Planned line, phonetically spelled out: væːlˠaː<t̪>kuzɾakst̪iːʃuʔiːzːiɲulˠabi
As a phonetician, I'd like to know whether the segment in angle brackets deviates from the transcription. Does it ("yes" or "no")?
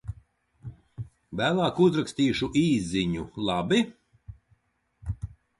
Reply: yes